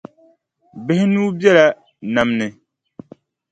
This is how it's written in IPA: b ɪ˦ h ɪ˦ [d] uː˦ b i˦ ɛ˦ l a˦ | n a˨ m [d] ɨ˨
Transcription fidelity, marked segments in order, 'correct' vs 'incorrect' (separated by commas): incorrect, incorrect